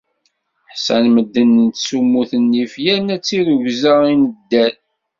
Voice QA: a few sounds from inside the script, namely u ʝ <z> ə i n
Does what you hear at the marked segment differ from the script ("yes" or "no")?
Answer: no